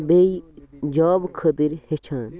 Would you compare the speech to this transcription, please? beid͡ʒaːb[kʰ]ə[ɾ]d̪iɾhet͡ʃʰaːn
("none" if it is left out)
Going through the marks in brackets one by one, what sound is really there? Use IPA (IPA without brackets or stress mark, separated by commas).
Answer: kʰ, none